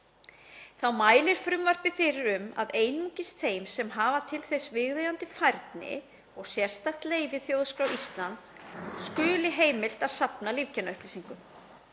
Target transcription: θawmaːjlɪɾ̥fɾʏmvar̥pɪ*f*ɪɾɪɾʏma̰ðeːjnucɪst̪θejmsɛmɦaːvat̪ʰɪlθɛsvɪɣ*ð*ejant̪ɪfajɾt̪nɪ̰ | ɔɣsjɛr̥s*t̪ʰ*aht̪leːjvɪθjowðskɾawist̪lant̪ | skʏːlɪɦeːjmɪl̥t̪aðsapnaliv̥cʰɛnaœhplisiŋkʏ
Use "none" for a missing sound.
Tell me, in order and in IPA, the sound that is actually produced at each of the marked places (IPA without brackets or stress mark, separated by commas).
f, ð, t̪